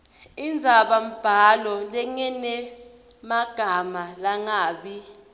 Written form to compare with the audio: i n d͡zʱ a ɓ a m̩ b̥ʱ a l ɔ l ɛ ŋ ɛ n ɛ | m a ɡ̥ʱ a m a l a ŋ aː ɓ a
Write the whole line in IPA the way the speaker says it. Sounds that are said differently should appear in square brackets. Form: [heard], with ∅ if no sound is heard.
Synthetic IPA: i n d͡zʱ a ɓ a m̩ b̥ʱ a l ɔ l ɛ ŋ ɛ n ɛ | m a ɡ̥ʱ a m a l a ŋ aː ɓ [i]

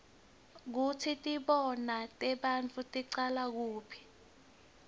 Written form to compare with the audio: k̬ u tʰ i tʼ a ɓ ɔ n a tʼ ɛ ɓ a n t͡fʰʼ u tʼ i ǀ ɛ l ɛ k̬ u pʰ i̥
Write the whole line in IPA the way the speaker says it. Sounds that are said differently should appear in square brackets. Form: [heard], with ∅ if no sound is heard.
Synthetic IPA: k̬ u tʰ i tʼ [i] ɓ ɔ n a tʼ ɛ ɓ a n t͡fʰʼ u tʼ i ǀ [a] l [a] k̬ [uː] pʰ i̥

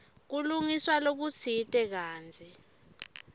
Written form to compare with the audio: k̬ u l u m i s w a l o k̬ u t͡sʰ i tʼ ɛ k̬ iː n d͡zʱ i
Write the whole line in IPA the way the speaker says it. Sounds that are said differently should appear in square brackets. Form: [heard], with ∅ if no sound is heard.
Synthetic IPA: k̬ u l u [ŋ] i s w a l o k̬ u t͡sʰ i tʼ ɛ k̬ [aː] n d͡zʱ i

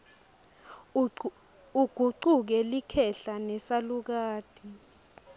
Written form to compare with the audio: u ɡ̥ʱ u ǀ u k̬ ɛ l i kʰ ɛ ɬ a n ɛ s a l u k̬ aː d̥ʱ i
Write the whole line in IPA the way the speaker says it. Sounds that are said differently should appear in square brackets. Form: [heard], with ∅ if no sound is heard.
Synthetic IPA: u ɡ̥ʱ u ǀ u k̬ ɛ l i kʰ ɛ ɬ a n ɛ s a l u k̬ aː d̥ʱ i

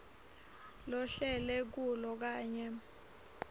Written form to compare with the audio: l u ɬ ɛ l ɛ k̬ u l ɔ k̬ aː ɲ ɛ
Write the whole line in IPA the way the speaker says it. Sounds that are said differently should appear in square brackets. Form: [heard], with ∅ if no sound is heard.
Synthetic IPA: l [ɔ] ɬ ɛ l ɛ k̬ u l ɔ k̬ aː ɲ ɛ

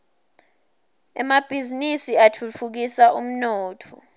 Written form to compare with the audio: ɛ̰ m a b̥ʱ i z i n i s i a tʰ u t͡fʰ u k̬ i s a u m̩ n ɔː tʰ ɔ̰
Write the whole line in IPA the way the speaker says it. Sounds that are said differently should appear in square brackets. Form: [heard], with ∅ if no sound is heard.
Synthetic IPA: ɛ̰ m a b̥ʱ i z i n i s i a tʰ u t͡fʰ u k̬ i s a u m̩ n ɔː tʰ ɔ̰

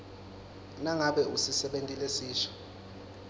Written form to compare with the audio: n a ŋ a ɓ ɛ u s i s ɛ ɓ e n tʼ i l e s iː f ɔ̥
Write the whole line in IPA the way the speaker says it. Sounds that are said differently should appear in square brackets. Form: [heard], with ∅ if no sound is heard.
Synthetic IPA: n a ŋ a ɓ ɛ u s i s ɛ ɓ e n tʼ i l e s iː [ʃ] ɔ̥

